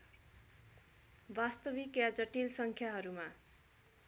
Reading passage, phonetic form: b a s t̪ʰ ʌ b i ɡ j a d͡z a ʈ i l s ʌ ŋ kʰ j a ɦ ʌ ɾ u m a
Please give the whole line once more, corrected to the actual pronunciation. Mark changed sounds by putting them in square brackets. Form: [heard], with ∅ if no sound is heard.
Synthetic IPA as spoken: b a s [t̪] ʌ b i [k] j a d͡z [ʌ] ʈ i l s ʌ ŋ kʰ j a ɦ ʌ ɾ u m a